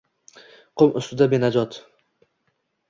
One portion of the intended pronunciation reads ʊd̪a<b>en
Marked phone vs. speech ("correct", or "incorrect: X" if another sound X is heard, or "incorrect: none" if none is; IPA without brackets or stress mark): correct